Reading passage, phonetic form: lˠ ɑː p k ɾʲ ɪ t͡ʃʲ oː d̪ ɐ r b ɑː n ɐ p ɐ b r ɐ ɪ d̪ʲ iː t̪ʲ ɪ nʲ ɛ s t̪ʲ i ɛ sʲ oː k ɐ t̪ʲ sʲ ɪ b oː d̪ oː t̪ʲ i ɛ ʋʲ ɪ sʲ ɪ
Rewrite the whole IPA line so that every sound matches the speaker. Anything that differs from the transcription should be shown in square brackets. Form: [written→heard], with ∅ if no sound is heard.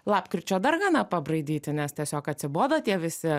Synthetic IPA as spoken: lˠ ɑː p k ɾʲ ɪ t͡ʃʲ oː d̪ ɐ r [b→ɡ] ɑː n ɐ p ɐ b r ɐ ɪ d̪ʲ iː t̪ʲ ɪ nʲ ɛ s t̪ʲ i ɛ sʲ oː k ɐ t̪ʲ sʲ ɪ b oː d̪ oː t̪ʲ i ɛ ʋʲ ɪ sʲ ɪ